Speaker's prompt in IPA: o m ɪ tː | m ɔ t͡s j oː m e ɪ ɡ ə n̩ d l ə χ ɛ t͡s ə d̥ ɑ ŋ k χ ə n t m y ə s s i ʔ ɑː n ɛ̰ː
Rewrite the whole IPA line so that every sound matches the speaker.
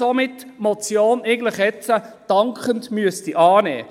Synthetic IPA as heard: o m ɪ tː | m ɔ t͡s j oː n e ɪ ɡ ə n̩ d l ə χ ɛ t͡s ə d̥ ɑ ŋ k χ ə n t m y ə s t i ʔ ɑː n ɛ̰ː